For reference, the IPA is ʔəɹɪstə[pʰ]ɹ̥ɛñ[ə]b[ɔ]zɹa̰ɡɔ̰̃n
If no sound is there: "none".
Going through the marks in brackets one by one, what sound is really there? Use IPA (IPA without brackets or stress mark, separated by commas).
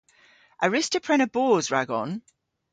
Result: pʰ, ə, ɔː